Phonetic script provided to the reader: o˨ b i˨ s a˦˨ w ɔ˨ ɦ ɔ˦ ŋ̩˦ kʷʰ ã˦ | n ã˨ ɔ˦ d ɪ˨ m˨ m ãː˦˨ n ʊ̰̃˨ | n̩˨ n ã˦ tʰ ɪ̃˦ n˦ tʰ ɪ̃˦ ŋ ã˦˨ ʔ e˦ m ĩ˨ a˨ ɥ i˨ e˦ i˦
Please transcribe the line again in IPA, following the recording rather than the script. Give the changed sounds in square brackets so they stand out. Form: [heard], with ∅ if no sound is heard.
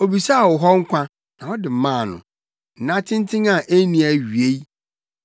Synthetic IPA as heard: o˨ b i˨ s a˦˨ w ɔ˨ ɦ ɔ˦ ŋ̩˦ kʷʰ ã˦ | n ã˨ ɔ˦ d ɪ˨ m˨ m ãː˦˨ n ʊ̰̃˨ | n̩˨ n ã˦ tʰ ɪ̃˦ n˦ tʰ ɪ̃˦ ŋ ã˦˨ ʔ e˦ [n] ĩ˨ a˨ ɥ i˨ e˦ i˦

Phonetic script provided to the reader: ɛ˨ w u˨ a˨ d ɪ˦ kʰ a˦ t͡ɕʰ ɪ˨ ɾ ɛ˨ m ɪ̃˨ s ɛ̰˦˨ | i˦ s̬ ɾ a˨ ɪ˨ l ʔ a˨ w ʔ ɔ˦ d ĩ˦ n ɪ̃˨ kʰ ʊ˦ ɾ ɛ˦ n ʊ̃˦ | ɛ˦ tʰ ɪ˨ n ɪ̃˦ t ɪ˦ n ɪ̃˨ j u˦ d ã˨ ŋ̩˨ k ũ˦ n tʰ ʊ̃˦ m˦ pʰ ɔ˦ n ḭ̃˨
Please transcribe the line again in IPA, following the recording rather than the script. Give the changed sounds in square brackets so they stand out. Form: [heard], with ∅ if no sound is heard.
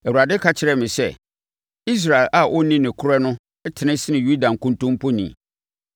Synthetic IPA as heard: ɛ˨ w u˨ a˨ d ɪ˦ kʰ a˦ t͡ɕʰ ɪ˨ ɾ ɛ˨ m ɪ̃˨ s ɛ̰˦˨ | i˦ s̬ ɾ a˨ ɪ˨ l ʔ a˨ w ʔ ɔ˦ [n] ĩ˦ n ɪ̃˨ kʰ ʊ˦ ɾ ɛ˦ n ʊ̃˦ | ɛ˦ tʰ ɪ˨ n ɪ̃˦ [s] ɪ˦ n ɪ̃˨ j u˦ d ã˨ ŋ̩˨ k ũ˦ n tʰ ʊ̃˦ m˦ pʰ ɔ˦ n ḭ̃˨

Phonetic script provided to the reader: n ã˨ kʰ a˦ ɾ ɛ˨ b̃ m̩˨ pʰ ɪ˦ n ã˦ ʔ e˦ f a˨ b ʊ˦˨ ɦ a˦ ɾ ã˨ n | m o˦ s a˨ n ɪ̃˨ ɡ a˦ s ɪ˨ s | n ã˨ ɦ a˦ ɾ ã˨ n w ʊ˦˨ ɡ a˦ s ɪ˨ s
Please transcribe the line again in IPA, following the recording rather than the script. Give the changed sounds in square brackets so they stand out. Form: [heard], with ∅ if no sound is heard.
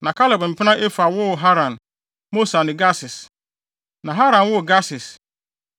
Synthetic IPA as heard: n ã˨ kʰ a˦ [l] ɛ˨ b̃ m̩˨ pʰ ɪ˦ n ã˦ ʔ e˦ f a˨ [w] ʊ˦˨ ɦ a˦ ɾ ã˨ n | m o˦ s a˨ n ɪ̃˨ ɡ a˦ s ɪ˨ s | n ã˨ ɦ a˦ ɾ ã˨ n w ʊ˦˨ ɡ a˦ s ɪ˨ s

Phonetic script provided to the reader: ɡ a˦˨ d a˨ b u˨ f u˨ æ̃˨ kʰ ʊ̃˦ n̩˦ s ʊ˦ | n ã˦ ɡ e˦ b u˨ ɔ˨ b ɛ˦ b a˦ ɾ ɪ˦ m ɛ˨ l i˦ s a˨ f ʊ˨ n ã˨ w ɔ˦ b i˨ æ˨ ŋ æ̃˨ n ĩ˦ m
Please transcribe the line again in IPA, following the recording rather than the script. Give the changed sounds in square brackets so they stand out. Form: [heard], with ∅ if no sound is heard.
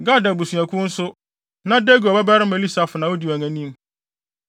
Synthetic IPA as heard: ɡ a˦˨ d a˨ b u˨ [s] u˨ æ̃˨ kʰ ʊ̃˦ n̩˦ s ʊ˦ | n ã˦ [d] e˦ [ɡ] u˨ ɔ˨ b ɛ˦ b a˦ ɾ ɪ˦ m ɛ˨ l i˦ s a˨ f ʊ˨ n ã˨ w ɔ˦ [d] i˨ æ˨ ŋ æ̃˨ n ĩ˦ m

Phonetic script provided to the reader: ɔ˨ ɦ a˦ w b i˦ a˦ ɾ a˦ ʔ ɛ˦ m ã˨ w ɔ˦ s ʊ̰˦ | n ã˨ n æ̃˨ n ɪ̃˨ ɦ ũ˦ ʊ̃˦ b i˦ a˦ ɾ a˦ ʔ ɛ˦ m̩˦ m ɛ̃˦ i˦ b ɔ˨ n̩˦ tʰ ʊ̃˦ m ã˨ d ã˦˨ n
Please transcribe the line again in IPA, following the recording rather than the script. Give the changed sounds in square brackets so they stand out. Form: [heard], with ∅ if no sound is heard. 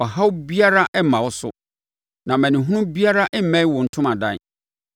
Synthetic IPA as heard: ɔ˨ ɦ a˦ w b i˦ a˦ ɾ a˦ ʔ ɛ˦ m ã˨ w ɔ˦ s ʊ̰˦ | n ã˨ [m] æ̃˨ n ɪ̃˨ ɦ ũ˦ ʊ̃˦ b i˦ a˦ ɾ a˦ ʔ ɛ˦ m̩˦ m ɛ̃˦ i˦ [w] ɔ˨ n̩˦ tʰ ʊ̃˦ m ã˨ d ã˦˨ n

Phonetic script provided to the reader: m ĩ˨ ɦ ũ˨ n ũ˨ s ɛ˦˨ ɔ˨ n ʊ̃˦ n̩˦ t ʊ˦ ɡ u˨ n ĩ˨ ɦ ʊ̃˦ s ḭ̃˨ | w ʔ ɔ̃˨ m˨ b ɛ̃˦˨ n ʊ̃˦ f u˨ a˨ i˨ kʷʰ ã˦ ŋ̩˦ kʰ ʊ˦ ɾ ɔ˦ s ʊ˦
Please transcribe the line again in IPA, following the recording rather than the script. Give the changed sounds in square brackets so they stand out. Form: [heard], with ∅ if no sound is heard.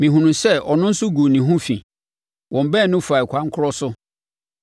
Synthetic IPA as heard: m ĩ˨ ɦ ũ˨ n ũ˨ s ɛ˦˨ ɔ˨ n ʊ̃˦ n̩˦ [s] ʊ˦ ɡ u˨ n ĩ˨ ɦ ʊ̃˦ [f] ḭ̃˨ | w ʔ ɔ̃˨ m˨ b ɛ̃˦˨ n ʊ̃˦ f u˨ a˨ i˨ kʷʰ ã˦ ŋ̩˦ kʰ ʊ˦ ɾ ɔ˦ s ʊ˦

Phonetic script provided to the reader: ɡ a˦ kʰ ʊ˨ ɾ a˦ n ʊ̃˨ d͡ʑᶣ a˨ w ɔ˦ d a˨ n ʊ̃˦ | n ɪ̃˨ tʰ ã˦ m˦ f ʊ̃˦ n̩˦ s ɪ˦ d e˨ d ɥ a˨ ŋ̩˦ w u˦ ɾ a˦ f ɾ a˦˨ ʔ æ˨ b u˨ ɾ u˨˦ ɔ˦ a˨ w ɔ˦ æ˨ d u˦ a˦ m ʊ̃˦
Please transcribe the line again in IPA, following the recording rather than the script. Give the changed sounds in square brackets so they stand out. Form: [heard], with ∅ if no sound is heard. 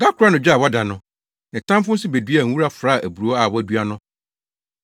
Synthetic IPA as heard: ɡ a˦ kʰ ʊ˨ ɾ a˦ n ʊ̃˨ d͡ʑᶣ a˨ w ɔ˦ d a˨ n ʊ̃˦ | n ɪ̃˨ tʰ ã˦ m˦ f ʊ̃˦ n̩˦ s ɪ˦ [b] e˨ d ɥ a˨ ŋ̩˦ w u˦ ɾ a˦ f ɾ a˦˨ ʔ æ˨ b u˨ ɾ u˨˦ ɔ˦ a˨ w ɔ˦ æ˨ d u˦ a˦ [n] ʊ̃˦

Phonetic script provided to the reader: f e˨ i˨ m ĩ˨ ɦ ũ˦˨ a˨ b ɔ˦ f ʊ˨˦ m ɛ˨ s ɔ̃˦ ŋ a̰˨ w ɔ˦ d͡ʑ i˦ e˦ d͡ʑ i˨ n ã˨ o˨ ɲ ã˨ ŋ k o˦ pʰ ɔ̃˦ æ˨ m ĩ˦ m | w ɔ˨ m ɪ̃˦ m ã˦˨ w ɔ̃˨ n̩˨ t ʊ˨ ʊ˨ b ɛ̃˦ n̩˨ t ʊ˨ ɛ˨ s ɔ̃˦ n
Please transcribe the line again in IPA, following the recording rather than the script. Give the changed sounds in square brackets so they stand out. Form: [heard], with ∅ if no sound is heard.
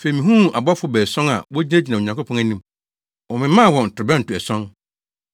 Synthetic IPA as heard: f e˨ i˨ m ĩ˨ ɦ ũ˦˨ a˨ b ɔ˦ f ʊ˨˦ [b] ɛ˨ s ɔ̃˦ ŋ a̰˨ w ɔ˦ d͡ʑ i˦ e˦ d͡ʑ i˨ n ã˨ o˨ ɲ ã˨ ŋ k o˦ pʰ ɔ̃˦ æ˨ [n] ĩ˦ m | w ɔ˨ m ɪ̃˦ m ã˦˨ w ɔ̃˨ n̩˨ t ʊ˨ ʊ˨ b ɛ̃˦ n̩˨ t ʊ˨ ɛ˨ s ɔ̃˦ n

